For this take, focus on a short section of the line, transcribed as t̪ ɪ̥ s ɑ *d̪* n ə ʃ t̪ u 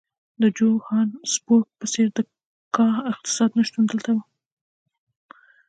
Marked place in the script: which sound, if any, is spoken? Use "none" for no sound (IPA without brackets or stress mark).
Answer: d̪